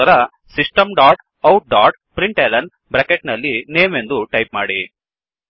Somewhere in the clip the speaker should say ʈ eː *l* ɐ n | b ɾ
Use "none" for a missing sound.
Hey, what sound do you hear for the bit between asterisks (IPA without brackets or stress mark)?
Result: l